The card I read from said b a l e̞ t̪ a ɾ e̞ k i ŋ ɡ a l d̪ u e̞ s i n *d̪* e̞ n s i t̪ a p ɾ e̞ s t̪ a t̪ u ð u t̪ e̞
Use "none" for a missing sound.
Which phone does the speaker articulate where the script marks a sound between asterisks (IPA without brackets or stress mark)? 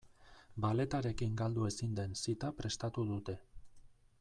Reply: d̪